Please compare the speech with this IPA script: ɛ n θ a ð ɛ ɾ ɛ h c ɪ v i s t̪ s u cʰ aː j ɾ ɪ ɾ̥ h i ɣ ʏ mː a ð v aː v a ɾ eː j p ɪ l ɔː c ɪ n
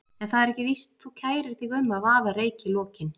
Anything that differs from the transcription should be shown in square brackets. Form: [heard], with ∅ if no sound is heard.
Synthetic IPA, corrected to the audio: ɛ n θ a ð ɛ ɾ ɛ h c ɪ v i s t̪ [θ] u cʰ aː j ɾ ɪ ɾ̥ [θ] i ɣ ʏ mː a ð v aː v a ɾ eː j [c] ɪ l ɔː c ɪ n